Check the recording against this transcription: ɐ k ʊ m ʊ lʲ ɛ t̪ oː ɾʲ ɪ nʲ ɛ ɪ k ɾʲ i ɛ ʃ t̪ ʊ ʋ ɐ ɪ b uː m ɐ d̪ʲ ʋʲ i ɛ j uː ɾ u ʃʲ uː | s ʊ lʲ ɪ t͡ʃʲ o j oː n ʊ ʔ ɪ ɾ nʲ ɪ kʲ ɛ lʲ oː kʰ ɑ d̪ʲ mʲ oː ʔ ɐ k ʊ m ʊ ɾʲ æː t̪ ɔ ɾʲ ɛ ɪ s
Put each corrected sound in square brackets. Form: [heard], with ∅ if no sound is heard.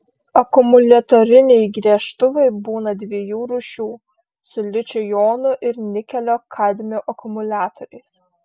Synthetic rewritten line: ɐ k ʊ m ʊ lʲ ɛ t̪ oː ɾʲ ɪ nʲ ɛ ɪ [ɡ] ɾʲ i ɛ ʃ t̪ ʊ ʋ ɐ ɪ b uː [n] ɐ d̪ʲ ʋʲ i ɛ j uː ɾ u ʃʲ uː | s ʊ lʲ ɪ t͡ʃʲ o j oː n ʊ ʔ ɪ ɾ nʲ ɪ kʲ ɛ lʲ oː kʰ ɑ d̪ʲ mʲ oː ʔ ɐ k ʊ m ʊ [lʲ] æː t̪ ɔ ɾʲ ɛ ɪ s